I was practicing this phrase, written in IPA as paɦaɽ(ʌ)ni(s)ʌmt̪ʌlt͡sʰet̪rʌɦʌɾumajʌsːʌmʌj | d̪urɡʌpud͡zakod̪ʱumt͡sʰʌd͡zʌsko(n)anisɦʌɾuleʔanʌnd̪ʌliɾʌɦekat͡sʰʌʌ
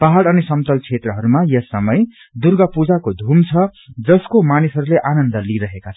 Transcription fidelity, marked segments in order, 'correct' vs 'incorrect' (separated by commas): correct, correct, incorrect